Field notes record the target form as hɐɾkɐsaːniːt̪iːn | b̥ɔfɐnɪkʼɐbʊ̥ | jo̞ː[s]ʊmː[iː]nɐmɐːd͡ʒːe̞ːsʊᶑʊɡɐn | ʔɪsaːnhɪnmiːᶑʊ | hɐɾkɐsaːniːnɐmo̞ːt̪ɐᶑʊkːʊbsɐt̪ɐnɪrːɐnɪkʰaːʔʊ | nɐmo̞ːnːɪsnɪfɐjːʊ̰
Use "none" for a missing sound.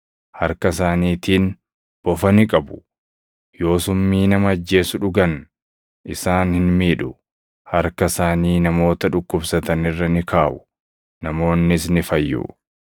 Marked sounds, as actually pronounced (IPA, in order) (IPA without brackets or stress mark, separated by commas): s, iː